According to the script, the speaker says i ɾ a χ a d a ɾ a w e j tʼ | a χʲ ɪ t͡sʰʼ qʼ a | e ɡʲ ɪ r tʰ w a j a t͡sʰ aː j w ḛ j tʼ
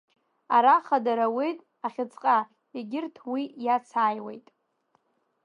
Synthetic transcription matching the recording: a ɾ a χ a d a ɾ a w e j tʼ | a χʲ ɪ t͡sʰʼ qʼ a | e ɡʲ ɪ r tʰ w i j a t͡sʰ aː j w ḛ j tʼ